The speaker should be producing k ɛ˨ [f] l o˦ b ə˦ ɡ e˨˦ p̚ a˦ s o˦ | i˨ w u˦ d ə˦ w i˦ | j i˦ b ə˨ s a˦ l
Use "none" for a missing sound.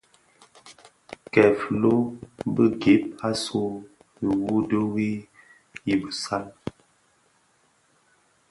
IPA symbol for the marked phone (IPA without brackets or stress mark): f